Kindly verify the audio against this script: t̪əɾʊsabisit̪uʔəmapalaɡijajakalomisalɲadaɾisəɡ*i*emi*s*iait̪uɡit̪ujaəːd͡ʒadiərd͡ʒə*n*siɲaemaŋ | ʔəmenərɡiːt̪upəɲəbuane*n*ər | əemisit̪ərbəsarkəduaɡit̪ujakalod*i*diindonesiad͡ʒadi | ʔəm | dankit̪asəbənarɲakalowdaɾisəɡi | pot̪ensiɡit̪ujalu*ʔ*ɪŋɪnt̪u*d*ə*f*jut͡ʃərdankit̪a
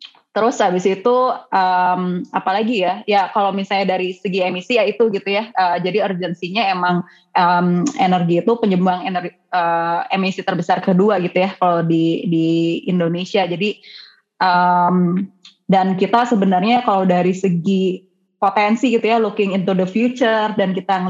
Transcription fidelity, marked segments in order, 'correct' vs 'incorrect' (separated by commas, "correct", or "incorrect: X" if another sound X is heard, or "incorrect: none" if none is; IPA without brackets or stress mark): correct, correct, correct, correct, correct, incorrect: k, correct, correct